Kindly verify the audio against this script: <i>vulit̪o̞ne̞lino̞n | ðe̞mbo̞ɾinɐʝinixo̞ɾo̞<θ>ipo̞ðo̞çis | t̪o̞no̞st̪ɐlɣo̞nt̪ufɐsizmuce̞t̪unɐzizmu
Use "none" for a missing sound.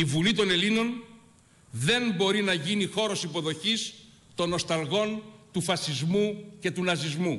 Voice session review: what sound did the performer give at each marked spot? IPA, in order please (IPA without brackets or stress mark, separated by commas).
i, s